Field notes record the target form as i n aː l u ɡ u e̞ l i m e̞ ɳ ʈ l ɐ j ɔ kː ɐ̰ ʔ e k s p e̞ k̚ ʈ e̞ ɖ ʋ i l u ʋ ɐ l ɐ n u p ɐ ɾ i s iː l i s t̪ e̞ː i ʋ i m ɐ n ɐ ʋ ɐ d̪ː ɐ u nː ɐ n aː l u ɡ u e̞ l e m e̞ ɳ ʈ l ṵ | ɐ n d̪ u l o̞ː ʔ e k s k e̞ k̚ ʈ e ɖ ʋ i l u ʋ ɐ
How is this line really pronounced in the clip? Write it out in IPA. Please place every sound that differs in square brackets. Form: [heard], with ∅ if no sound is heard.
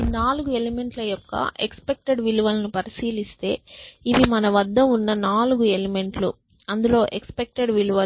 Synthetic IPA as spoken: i n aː l u ɡ u e̞ l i m e̞ ɳ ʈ l ɐ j ɔ kː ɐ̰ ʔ e k s p e̞ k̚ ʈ e̞ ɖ ʋ i l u ʋ ɐ l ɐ n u p ɐ ɾ i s iː l i s t̪ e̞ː i ʋ i m ɐ n ɐ ʋ ɐ d̪ː ɐ u nː ɐ n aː l u ɡ u e̞ l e m e̞ ɳ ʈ l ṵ | ɐ n d̪ u l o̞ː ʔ e k s [p] e̞ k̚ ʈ e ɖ ʋ i l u ʋ ɐ